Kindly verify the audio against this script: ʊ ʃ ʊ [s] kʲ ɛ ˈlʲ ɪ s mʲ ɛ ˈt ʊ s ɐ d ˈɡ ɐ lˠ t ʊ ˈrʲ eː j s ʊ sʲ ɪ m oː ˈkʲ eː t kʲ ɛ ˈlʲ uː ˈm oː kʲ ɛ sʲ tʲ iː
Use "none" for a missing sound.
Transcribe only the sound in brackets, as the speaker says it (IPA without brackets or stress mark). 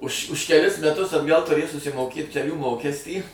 ʃ